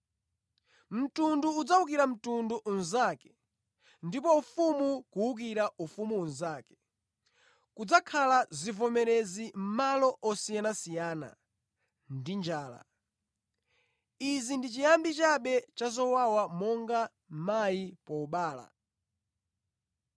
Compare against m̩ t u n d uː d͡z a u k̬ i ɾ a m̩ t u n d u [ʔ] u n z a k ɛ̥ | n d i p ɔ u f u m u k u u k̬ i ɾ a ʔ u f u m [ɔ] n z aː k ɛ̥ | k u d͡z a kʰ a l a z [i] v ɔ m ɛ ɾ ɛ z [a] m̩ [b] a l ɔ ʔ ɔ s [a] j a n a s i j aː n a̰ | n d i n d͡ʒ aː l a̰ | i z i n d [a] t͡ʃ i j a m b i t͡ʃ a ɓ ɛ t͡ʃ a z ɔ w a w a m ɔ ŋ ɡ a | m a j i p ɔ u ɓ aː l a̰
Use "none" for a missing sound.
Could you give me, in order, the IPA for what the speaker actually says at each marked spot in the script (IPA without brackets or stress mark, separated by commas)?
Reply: ʔ, u, i, i, m, i, i